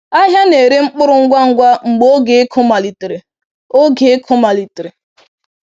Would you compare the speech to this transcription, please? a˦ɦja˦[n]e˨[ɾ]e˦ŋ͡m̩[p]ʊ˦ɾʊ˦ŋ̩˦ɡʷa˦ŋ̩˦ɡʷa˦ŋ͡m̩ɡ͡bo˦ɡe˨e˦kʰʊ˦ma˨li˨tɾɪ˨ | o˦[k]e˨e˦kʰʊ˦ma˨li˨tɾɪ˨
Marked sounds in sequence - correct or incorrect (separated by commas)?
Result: correct, correct, incorrect, incorrect